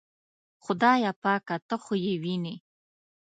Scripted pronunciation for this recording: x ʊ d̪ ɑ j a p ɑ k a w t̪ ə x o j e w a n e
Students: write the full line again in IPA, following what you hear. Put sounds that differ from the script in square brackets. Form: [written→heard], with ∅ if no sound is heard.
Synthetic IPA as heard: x ʊ d̪ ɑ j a p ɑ k a [w→∅] t̪ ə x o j e w [a→i] n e